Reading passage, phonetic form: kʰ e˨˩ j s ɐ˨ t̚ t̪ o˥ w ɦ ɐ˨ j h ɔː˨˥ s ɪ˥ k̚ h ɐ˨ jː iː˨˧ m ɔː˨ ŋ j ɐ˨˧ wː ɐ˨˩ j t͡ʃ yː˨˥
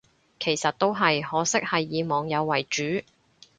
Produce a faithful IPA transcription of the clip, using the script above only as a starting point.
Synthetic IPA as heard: kʰ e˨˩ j s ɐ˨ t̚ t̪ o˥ w ɦ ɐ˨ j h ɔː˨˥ s ɪ˥ k̚ h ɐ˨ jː iː˨˧ m ɔː˨ ŋ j ɐ˨˧ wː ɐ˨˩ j t͡ʃ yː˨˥